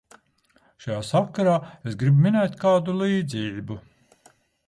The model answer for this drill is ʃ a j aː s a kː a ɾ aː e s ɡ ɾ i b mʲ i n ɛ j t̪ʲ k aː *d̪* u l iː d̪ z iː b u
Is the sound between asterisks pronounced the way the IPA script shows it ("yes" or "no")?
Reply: yes